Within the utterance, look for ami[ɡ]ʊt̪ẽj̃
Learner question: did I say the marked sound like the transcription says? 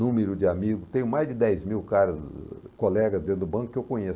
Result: yes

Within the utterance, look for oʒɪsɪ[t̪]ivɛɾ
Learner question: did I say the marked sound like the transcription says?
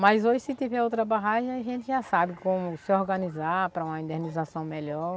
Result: yes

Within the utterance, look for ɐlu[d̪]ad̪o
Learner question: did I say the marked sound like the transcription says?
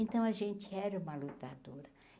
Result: no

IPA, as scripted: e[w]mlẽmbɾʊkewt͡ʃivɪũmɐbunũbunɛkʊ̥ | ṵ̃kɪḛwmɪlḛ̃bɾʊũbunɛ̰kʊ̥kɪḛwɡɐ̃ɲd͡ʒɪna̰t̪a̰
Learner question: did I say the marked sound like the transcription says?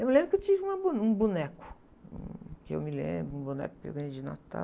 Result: yes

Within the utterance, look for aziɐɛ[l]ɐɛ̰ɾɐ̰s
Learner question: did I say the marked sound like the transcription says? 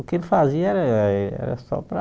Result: no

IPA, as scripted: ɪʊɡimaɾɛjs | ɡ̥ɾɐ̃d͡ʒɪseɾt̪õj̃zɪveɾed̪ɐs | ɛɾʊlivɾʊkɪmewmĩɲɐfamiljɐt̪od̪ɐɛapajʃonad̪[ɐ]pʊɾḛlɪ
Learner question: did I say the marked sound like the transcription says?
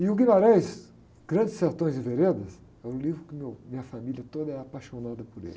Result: yes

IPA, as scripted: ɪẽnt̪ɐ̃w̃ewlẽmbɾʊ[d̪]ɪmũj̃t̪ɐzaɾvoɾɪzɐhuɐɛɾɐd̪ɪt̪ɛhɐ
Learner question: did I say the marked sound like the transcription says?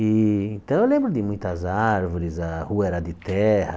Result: yes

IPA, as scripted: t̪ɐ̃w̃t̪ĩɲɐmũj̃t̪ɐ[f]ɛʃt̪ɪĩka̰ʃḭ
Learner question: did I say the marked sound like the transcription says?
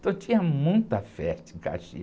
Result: yes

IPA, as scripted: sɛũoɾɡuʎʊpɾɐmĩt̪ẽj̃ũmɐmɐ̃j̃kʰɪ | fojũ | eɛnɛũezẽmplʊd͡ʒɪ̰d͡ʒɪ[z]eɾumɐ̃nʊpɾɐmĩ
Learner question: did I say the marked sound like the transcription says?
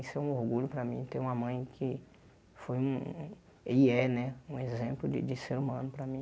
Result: no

